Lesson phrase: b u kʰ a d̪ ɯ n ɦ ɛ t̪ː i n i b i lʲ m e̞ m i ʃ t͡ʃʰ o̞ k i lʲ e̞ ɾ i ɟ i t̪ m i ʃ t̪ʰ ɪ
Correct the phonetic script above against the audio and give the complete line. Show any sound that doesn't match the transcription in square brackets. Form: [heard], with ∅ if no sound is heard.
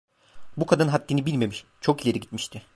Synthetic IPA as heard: b u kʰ a d̪ ɯ n ɦ [a] t̪ː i n i b i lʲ m e̞ m i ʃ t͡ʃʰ o̞ k i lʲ e̞ ɾ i ɟ i t̪ m i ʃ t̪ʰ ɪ